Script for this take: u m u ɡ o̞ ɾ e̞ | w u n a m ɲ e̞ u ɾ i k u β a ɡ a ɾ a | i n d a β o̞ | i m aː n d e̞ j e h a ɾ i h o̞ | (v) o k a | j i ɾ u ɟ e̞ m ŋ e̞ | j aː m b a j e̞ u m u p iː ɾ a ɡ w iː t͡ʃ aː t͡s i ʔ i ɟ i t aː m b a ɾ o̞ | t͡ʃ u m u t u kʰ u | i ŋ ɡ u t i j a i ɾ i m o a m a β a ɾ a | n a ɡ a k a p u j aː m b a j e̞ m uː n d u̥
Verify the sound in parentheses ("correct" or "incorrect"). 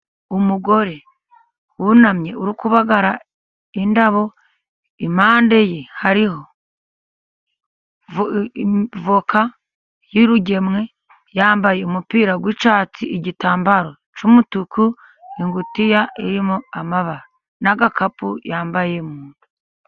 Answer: correct